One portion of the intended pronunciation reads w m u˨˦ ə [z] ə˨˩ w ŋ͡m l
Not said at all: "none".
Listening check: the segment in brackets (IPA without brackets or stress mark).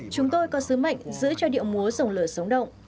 z